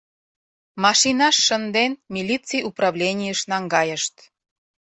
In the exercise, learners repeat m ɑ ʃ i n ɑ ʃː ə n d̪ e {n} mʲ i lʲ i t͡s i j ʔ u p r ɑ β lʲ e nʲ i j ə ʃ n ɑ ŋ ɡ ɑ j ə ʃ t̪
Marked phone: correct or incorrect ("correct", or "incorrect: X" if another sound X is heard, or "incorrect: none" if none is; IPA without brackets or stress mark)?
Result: correct